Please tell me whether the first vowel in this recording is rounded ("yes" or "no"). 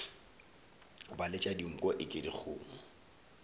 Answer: no